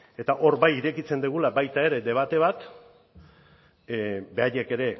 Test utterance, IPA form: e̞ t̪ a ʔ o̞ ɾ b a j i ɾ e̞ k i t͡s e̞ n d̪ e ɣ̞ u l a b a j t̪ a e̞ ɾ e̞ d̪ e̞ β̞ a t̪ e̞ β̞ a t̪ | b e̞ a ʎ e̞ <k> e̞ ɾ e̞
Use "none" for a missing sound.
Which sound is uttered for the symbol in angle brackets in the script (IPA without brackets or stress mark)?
k